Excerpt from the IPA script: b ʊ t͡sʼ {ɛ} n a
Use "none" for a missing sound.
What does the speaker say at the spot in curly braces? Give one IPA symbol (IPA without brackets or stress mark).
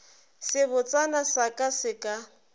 a